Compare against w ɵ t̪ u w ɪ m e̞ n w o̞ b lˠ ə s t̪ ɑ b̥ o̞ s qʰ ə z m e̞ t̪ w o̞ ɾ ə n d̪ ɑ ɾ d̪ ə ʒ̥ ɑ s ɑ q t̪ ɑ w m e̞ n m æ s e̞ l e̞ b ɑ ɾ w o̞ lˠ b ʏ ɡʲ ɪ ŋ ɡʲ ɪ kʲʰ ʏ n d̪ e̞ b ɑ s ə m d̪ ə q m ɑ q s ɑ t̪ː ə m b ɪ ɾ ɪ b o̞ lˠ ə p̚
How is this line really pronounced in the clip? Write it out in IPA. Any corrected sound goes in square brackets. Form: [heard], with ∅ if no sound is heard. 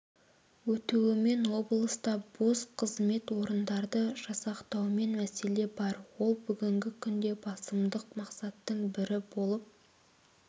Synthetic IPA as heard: w ɵ t̪ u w ɪ m e̞ n w o̞ b lˠ ə s t̪ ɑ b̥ o̞ s qʰ ə z m e̞ t̪ w o̞ ɾ ə n d̪ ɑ ɾ d̪ ə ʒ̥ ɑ s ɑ q t̪ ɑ w m e̞ n m æ s e̞ l e̞ b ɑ ɾ w o̞ lˠ b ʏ ɡʲ ɪ ŋ ɡʲ ɪ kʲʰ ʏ n d̪ e̞ b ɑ s ə m d̪ ə q m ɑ q s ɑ t̪ː ə [ɴ] b ɪ ɾ ɪ b o̞ lˠ ə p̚

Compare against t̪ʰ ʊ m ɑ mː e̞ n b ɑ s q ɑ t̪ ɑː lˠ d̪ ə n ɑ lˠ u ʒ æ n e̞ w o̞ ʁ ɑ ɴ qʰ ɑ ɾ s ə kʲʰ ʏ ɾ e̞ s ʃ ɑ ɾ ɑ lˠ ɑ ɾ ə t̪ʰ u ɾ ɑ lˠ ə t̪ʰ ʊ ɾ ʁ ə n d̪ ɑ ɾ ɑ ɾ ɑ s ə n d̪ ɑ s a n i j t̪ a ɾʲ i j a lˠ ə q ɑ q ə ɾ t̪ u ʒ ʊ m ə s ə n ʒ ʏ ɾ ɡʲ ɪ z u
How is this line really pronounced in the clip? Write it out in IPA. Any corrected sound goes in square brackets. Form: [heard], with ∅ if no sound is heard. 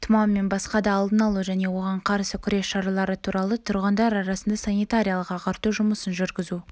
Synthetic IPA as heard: t̪ʰ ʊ m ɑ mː e̞ n b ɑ s q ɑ [d̪] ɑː lˠ d̪ ə n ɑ lˠ u ʒ æ n e̞ w o̞ ʁ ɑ ɴ qʰ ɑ ɾ s ə kʲʰ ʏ ɾ e̞ s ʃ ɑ ɾ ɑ lˠ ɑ ɾ ə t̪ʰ u ɾ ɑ lˠ ə t̪ʰ ʊ ɾ ʁ ə n d̪ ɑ ɾ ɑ ɾ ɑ s ə n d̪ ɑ s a n i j t̪ a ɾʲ i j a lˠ ə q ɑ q [ɑ] ɾ t̪ u ʒ ʊ m ə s ə n ʒ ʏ ɾ ɡʲ ɪ z u

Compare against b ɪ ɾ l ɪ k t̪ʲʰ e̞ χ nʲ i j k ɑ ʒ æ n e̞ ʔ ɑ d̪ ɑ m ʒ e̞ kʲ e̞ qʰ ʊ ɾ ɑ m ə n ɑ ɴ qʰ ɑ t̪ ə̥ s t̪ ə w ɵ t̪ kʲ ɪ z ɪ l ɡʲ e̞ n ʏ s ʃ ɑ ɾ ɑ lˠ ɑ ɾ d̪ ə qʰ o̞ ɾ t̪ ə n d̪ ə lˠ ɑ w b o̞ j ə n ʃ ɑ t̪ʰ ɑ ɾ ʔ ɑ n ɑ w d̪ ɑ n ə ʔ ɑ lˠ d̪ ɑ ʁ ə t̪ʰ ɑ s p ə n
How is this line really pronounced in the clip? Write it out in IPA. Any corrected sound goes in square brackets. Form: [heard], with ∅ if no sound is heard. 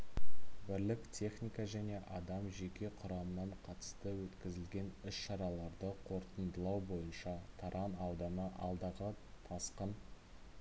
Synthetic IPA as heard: b ɪ ɾ l ɪ k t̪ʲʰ e̞ χ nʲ i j k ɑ ʒ æ n e̞ ʔ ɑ d̪ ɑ m ʒ e̞ kʲ e̞ qʰ ʊ ɾ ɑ m ə n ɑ ɴ qʰ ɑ t̪ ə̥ s t̪ ə w ɵ t̪ kʲ ɪ z ɪ l ɡʲ e̞ n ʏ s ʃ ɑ ɾ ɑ lˠ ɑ ɾ d̪ ə qʰ o̞ ɾ t̪ ə n d̪ ə lˠ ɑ w b o̞ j ə n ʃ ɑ t̪ʰ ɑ ɾ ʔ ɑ n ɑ w d̪ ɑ n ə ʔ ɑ lˠ d̪ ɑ ʁ ə t̪ʰ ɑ s [q] ə n

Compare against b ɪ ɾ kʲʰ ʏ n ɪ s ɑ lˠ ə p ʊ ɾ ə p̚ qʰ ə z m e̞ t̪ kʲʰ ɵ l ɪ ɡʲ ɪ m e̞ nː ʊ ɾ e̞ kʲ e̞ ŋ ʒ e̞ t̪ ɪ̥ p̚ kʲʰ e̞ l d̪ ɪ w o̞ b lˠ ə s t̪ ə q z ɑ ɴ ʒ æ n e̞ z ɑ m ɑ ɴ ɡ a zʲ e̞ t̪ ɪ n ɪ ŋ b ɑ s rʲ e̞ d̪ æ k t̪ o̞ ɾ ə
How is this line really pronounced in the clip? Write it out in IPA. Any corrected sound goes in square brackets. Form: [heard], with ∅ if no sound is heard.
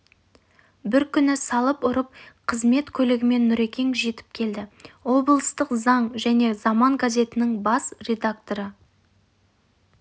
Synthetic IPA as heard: b ɪ ɾ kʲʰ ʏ n ɪ s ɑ lˠ ə p ʊ ɾ ə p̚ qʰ ə z m e̞ t̪ kʲʰ ɵ l ɪ ɡʲ ɪ m e̞ nː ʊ ɾ e̞ kʲ e̞ ŋ ʒ e̞ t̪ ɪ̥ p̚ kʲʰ e̞ l d̪ ɪ w o̞ b lˠ ə s t̪ ə q z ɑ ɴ ʒ æ n e̞ z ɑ m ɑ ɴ ɡ a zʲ e̞ t̪ ɪ n ɪ ŋ b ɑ s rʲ e̞ d̪ [a] k t̪ o̞ ɾ ə

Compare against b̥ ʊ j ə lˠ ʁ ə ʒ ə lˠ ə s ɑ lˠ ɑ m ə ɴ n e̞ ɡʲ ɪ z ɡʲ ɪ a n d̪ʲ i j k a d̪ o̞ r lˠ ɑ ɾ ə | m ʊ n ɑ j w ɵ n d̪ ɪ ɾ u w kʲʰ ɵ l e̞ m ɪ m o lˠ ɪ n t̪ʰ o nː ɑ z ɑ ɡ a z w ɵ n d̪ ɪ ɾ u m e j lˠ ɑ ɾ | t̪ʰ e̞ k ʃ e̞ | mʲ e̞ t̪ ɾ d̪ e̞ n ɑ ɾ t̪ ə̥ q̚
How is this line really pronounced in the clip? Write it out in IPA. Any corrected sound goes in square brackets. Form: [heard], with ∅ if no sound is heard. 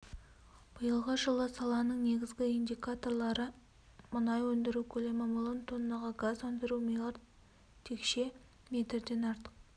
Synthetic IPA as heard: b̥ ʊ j ə lˠ ʁ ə ʒ ə lˠ ə s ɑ lˠ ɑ [n] ə ɴ n e̞ ɡʲ ɪ z ɡʲ ɪ [i] n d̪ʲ i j k a [t̪] o̞ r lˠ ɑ ɾ ə | m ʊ n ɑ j w ɵ n d̪ ɪ ɾ u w kʲʰ ɵ l e̞ m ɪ m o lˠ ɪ n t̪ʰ o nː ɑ [ʁ] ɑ ɡ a z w ɵ n d̪ ɪ ɾ u m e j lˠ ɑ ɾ | t̪ʰ e̞ k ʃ e̞ | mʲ e̞ t̪ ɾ d̪ e̞ n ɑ ɾ t̪ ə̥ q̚

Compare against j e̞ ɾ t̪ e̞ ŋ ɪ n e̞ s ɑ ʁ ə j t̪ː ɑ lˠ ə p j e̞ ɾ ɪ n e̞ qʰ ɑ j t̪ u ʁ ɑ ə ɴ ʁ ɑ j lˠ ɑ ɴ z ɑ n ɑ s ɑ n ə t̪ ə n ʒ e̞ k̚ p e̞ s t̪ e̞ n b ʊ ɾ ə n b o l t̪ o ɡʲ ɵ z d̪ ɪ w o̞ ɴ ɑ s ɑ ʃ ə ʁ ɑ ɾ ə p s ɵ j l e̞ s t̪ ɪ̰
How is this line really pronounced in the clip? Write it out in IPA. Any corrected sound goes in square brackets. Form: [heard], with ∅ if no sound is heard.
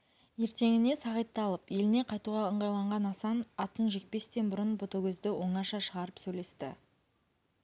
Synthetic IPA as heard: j e̞ ɾ t̪ e̞ ŋ ɪ n e̞ s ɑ ʁ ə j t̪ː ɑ lˠ ə p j e̞ [l] ɪ n e̞ qʰ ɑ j t̪ u ʁ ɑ ə ɴ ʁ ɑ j lˠ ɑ ɴ [ʁ] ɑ n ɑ s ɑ n [ɑ] t̪ ə n ʒ e̞ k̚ p e̞ s t̪ e̞ n b ʊ ɾ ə n b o [∅] t̪ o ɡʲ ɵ z d̪ ɪ w o̞ ɴ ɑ [ʃ] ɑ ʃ ə ʁ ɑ ɾ ə p s ɵ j l e̞ s t̪ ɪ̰

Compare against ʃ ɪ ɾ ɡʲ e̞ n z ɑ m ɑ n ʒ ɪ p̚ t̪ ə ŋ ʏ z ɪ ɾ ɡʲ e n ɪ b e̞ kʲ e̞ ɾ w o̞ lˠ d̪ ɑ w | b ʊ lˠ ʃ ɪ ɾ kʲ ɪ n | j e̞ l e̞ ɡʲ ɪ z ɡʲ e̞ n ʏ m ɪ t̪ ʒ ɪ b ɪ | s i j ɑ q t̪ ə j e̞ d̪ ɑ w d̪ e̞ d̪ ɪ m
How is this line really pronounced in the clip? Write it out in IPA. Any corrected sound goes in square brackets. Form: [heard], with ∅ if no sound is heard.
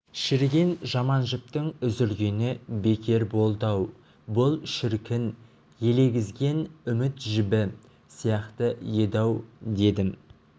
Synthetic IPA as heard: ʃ ɪ ɾ ɡʲ e̞ n [ʒ] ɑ m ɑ n ʒ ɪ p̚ t̪ ə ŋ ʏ z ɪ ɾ ɡʲ e n ɪ b e̞ kʲ e̞ ɾ [b] o̞ lˠ d̪ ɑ w | b ʊ lˠ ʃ ɪ ɾ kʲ ɪ n | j e̞ l e̞ ɡʲ ɪ z ɡʲ e̞ n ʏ m ɪ t̪ ʒ ɪ b ɪ | s i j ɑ q t̪ ə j e̞ d̪ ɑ w d̪ e̞ d̪ ɪ m

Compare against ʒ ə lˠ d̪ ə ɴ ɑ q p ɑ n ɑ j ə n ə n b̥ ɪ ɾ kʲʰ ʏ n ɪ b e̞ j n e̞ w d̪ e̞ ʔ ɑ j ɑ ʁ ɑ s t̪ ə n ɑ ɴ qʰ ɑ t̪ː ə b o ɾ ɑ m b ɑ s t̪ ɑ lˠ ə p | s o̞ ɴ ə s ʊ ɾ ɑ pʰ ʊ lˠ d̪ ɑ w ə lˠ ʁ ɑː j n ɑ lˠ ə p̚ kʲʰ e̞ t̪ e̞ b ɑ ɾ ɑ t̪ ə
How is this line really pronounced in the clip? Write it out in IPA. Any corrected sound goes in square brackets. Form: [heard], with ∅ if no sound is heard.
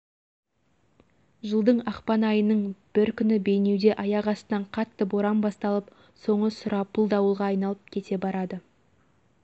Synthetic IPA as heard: ʒ ə lˠ d̪ ə ɴ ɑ q p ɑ n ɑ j ə n ə [ɴ] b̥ ɪ ɾ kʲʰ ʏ n ɪ b e̞ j n e̞ w d̪ e̞ ʔ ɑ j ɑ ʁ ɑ s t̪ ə n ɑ ɴ qʰ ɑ t̪ː ə b o ɾ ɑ m b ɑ s t̪ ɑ lˠ ə p | s o̞ ɴ ə s ʊ ɾ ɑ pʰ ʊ lˠ d̪ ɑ w ə lˠ ʁ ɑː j n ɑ lˠ ə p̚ kʲʰ e̞ t̪ e̞ b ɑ ɾ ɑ [d̪] ə

